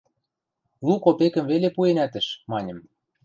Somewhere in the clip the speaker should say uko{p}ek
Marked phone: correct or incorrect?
correct